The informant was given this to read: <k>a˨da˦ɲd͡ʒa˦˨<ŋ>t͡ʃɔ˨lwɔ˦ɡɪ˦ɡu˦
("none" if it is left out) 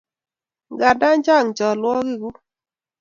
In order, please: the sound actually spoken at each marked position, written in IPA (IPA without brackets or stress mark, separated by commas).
ɡ, ŋ